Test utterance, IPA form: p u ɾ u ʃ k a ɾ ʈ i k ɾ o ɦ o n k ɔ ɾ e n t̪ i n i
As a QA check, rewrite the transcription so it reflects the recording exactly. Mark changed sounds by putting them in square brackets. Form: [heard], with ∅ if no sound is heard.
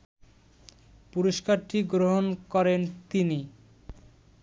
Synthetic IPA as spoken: p u ɾ [o] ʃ k a ɾ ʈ i [ɡ] ɾ o ɦ o n k ɔ ɾ e n t̪ i n i